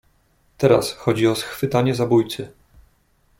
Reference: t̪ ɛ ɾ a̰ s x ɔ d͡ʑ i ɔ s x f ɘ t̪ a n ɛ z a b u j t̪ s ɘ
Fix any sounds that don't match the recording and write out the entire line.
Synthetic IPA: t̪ ɛ ɾ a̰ s x ɔ d͡ʑ i ɔ s x f ɘ t̪ a ɲ ɛ z a b u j t̪ s ɘ